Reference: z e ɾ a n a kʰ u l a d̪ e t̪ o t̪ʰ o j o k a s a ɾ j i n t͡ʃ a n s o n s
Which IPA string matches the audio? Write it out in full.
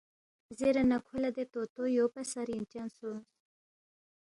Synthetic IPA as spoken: z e ɾ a n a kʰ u l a d̪ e t̪ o t̪ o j o p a s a ɾ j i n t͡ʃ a n s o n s